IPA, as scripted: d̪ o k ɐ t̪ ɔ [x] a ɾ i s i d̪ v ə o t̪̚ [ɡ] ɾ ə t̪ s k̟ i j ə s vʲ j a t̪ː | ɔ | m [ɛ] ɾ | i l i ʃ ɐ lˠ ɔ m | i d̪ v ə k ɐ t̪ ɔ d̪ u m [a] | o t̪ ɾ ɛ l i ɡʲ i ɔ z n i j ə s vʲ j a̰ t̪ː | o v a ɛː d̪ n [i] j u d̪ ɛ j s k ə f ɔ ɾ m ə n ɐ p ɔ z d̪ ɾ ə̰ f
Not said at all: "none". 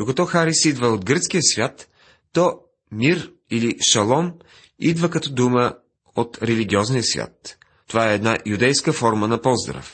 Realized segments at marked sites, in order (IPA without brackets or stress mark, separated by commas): x, ɡ, i, ə, a